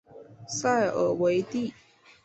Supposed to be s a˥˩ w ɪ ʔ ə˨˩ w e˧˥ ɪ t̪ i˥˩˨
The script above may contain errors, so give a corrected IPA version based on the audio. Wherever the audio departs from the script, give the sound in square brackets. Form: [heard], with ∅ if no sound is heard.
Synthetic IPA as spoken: s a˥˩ [∅] ɪ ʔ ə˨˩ w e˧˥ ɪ t̪ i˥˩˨